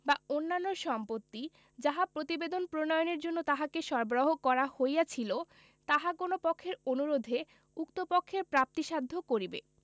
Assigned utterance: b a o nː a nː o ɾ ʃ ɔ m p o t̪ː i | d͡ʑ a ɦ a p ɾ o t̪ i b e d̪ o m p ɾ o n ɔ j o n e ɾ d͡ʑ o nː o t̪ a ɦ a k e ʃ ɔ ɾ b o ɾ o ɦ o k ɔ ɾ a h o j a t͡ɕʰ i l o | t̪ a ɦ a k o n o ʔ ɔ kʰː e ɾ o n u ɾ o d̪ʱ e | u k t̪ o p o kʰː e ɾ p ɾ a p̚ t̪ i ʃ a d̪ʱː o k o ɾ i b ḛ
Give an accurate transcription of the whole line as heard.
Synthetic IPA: b a o nː a nː o ɾ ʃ ɔ m p o t̪ː i | d͡ʑ a ɦ a p ɾ o t̪ i b e d̪ o n p ɾ o n ɔ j o n e ɾ d͡ʑ o nː o t̪ a ɦ a k e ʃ ɔ ɾ b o ɾ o ɦ o k ɔ ɾ a h o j a t͡ɕʰ i l o | t̪ a ɦ a k o n o p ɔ kʰː e ɾ o n u ɾ o d̪ʱ e | u k t̪ o p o kʰː e ɾ p ɾ a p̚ t̪ i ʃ a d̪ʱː o k o ɾ i b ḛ